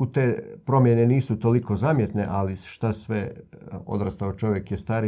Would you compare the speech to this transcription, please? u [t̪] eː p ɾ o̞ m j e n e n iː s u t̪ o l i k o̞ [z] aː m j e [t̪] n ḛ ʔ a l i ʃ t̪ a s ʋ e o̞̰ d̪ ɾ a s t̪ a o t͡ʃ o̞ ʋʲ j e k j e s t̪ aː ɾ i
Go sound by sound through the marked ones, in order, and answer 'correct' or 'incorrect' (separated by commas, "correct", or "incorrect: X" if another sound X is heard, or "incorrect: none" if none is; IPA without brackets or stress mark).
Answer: correct, correct, correct